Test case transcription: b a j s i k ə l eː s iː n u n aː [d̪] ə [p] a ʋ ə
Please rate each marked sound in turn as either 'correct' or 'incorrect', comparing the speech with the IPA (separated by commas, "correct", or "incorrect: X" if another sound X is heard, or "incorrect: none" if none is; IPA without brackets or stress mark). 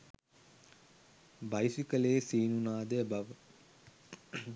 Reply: correct, incorrect: b